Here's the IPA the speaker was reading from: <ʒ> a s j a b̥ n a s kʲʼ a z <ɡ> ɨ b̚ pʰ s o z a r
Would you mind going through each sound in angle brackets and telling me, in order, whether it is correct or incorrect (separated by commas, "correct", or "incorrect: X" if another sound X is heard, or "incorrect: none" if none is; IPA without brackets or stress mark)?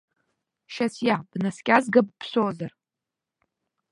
incorrect: ʃ, correct